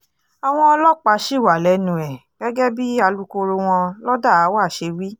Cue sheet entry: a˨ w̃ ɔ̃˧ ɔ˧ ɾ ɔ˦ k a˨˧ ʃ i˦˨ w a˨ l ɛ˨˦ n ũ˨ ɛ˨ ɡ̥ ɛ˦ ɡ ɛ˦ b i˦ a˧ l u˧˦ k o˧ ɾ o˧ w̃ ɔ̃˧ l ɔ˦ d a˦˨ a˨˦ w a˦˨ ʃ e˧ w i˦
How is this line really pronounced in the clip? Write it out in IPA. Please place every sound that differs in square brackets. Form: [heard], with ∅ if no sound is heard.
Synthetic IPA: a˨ w̃ ɔ̃˧ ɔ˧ [l] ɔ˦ [k͡p] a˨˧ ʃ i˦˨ w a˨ l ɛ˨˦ n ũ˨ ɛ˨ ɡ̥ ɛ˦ ɡ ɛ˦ b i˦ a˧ l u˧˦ k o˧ ɾ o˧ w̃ ɔ̃˧ l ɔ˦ d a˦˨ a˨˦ w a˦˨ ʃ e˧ w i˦